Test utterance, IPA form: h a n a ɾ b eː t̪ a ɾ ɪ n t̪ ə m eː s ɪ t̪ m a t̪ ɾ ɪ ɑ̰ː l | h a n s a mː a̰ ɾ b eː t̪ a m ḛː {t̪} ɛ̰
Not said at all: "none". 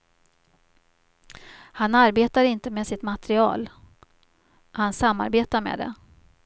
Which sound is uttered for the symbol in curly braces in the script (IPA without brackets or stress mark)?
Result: d̪